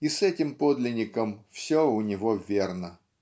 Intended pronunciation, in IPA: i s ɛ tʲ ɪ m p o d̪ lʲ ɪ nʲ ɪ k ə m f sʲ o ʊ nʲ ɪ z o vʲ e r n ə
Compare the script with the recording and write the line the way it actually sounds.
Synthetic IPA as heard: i s ɛ tʲ ɪ m p o d̪ lʲ ɪ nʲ ɪ k ə m f sʲ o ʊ nʲ ɪ v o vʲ e r n ə